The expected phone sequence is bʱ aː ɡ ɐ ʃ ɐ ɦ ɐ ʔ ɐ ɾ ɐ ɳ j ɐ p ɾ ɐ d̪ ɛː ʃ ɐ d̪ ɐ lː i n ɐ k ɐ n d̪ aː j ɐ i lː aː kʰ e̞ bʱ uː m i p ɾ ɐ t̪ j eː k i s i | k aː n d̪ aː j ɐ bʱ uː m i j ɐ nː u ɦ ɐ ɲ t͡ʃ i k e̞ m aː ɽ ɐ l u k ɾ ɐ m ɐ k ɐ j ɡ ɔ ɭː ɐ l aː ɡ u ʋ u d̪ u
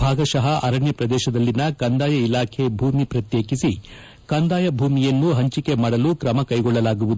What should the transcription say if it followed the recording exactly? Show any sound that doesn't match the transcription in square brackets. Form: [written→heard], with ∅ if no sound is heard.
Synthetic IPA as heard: bʱ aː ɡ ɐ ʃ ɐ ɦ ɐ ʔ ɐ ɾ ɐ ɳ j ɐ p ɾ ɐ d̪ ɛː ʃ ɐ d̪ ɐ lː i n ɐ k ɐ n d̪ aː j ɐ i [lː→l] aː kʰ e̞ bʱ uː m i p ɾ ɐ t̪ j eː k i s i | k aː n d̪ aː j ɐ bʱ uː m i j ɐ nː u ɦ ɐ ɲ t͡ʃ i k e̞ m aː ɽ ɐ l u k ɾ ɐ m ɐ k ɐ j ɡ ɔ ɭː ɐ l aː ɡ u ʋ u d̪ u